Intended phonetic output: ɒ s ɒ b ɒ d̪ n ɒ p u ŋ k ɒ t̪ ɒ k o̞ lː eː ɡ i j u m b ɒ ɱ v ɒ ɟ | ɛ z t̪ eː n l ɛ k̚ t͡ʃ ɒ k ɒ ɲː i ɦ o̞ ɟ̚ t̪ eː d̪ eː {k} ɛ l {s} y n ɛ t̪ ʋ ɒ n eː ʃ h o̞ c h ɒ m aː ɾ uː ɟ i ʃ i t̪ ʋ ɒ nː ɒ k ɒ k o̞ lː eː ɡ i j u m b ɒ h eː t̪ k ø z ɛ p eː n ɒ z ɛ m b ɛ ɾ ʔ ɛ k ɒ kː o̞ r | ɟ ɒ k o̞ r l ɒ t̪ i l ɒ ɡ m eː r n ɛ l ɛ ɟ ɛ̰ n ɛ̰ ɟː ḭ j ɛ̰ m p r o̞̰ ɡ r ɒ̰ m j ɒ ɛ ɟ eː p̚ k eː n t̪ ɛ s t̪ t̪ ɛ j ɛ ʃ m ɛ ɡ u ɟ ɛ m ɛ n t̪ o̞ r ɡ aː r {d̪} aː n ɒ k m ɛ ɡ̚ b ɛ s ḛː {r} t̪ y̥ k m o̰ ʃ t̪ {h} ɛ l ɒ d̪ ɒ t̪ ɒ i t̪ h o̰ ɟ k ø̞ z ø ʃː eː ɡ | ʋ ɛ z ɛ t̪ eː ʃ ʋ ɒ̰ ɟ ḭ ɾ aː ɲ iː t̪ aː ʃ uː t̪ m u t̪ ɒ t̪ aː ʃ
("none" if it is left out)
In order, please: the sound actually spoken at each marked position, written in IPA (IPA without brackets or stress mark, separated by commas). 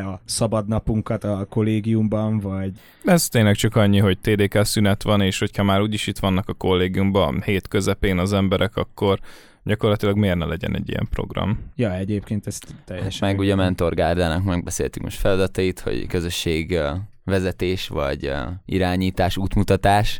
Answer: k, s, d̪, l, f